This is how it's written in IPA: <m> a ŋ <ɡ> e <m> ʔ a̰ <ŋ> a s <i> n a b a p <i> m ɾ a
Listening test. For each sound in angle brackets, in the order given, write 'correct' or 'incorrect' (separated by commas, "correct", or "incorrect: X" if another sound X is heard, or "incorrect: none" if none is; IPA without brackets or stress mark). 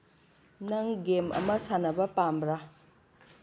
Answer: incorrect: n, correct, correct, incorrect: m, incorrect: a, incorrect: a